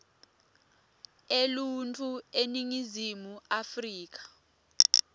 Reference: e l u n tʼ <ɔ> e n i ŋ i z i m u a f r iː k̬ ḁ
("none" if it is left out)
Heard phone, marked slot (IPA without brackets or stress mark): u